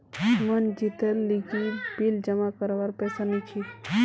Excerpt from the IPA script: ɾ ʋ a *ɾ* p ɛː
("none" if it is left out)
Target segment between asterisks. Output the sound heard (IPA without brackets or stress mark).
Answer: ɾ